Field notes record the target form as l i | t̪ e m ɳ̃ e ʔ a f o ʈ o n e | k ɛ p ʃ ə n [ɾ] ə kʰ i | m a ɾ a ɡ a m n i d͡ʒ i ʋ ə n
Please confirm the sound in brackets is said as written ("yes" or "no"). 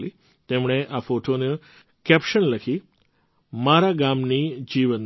no